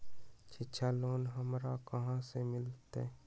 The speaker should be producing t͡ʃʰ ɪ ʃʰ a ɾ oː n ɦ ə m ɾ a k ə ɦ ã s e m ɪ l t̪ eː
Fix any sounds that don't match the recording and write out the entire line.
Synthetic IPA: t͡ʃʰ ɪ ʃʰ a l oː n ɦ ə m ɾ a k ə ɦ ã s e m ɪ l t̪ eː

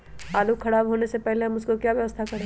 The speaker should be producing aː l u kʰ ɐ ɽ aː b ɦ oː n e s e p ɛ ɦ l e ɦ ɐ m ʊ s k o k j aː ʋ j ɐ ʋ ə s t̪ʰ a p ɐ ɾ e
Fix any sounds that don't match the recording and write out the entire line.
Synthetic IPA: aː l u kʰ ɐ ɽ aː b ɦ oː n e s e p ɛ ɦ l e ɦ ɐ m ʊ s k o k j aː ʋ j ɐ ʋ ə s t̪ʰ a k ɐ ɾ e

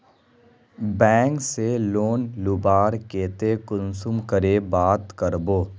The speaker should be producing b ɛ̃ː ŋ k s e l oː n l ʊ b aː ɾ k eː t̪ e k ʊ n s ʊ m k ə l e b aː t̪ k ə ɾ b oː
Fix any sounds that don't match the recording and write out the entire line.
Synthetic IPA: b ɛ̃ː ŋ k s e l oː n l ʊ b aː ɾ k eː t̪ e k ʊ n s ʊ m k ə ɾ e b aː t̪ k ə ɾ b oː

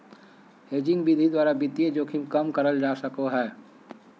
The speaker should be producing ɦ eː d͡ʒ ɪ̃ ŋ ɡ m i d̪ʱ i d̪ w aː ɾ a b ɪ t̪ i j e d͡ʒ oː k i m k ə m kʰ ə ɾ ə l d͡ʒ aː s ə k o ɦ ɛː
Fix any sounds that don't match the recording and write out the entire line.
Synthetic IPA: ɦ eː d͡ʒ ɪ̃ ŋ ɡ b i d̪ʱ i d̪ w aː ɾ a b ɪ t̪ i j e d͡ʒ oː kʰ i m k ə m k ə ɾ ə l d͡ʒ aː s ə k o ɦ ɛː

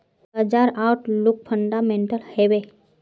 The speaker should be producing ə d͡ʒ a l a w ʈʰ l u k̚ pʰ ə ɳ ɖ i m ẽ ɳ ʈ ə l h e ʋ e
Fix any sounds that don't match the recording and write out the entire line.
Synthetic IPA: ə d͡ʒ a ɾ a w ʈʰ l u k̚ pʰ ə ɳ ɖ a m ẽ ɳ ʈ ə l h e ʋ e

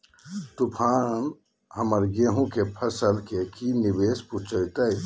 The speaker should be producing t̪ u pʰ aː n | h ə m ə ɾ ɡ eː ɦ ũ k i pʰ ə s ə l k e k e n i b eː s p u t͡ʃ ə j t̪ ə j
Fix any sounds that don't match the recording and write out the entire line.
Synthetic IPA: t̪ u pʰ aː n | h ə m ə ɾ ɡ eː ɦ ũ k e pʰ ə s ə l k e k i n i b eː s p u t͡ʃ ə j t̪ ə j

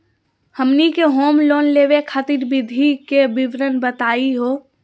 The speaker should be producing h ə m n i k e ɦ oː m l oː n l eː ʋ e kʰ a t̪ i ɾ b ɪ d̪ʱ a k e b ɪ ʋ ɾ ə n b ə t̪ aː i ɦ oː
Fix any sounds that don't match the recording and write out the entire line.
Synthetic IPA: h ə m n i k e ɦ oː m l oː n l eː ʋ e kʰ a t̪ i ɾ b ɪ d̪ʱ i k e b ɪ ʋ ɾ ə n b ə t̪ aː i ɦ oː

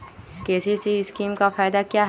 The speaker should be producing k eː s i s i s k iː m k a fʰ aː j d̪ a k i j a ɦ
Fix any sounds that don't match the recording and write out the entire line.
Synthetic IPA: k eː s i s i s k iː m k a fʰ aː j d̪ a k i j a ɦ

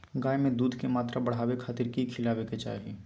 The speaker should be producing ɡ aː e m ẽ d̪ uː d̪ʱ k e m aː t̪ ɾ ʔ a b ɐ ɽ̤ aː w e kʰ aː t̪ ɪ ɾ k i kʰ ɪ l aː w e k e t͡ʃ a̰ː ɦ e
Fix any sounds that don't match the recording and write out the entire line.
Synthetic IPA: ɡ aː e m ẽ d̪ uː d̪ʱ k e m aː t̪ ɾ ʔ a b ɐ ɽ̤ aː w e kʰ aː t̪ ɪ ɾ k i kʰ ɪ l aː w e k e t͡ʃ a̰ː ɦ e

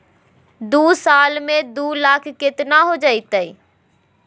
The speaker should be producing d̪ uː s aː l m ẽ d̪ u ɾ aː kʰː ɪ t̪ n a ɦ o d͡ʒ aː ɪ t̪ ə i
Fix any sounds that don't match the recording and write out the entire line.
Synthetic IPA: d̪ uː s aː l m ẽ d̪ u l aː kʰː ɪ t̪ n a ɦ o d͡ʒ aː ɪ t̪ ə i

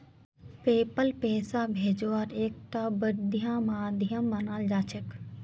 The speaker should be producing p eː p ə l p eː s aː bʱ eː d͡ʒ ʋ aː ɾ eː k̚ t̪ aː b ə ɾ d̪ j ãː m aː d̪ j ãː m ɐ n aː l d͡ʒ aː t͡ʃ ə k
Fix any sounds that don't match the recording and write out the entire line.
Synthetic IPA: p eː p ə l p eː s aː bʱ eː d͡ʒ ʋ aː ɾ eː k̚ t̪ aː b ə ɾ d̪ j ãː m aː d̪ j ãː m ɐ n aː l d͡ʒ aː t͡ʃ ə k

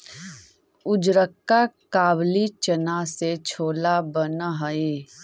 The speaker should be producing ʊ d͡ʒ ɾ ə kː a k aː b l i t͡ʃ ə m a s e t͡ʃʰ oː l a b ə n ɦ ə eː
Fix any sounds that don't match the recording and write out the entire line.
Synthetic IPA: ʊ d͡ʒ ɾ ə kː a k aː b l i t͡ʃ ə n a s e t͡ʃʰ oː l a b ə n ɦ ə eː

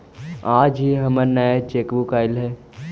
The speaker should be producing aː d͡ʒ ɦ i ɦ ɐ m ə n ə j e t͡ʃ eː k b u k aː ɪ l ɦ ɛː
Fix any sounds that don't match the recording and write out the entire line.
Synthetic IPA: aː d͡ʒ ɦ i ɦ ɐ m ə n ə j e t͡ʃ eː k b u k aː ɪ l ɦ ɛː

